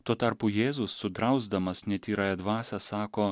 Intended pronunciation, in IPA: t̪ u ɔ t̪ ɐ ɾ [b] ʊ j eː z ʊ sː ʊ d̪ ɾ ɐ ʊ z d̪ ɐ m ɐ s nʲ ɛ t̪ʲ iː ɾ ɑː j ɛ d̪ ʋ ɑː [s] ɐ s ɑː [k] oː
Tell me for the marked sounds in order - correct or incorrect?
incorrect: p, correct, correct

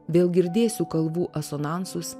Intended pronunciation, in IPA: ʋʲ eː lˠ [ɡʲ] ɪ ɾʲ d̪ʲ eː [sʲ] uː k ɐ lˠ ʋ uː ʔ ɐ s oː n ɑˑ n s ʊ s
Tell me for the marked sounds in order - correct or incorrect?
correct, correct

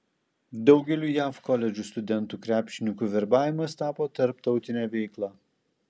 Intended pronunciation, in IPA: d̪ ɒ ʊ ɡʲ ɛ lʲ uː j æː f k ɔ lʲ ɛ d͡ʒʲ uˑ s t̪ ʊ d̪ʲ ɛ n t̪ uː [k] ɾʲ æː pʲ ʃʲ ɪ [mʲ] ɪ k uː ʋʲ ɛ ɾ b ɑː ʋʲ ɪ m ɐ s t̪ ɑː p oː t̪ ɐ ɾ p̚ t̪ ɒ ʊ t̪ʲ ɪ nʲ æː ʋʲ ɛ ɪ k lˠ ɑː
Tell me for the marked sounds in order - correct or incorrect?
correct, incorrect: nʲ

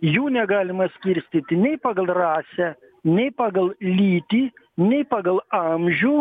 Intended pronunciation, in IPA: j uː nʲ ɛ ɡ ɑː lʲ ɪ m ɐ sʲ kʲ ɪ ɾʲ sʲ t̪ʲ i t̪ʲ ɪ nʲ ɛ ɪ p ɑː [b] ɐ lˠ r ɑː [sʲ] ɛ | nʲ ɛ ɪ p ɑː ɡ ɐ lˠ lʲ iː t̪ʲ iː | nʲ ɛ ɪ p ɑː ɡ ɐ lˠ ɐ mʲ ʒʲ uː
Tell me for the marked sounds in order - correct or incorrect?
incorrect: ɡ, correct

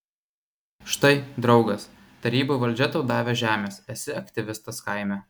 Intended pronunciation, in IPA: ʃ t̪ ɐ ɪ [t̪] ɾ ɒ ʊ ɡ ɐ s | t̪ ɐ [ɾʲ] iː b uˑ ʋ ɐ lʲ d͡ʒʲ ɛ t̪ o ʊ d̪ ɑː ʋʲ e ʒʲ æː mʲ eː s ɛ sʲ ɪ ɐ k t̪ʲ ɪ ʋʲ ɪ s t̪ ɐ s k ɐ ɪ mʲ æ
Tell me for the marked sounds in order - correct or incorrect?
incorrect: d̪, correct

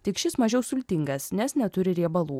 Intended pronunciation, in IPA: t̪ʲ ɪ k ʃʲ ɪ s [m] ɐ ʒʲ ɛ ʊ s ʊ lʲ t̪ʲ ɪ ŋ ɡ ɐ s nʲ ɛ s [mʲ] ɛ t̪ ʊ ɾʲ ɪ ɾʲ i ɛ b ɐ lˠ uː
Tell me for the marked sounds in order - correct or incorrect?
correct, incorrect: nʲ

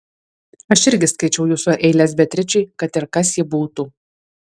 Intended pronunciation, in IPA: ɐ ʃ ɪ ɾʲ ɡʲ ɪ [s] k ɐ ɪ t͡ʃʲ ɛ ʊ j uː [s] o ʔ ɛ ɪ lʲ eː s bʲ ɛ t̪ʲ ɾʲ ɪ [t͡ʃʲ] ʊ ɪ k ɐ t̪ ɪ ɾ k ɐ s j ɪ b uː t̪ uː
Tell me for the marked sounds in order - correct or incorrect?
correct, correct, correct

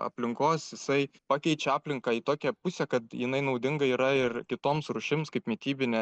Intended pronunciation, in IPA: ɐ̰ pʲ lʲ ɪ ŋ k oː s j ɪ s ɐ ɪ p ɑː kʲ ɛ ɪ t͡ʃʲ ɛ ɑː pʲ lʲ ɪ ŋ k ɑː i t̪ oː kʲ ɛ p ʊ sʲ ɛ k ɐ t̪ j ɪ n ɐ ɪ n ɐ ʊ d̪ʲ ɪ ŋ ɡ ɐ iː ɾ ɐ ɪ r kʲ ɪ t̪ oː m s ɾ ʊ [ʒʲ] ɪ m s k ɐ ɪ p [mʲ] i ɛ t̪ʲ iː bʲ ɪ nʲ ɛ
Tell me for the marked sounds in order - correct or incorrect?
incorrect: ʃʲ, correct

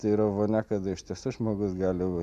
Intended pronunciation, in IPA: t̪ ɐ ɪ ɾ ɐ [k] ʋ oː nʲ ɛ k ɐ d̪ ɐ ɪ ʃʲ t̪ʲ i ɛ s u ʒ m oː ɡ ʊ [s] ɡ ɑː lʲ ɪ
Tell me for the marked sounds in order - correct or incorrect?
incorrect: none, correct

